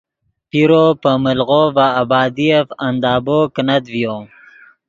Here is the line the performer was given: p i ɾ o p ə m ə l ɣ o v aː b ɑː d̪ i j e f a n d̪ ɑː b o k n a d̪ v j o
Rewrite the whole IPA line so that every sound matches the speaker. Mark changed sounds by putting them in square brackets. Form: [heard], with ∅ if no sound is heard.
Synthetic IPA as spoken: p i ɾ o p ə m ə l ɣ o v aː b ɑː d̪ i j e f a n d̪ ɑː b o k n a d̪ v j o